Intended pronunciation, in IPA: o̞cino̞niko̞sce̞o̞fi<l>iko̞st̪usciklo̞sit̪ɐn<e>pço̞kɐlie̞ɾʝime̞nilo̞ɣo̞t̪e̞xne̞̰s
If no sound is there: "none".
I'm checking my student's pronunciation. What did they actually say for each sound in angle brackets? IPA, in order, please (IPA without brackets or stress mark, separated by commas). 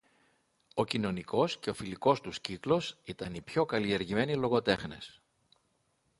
l, i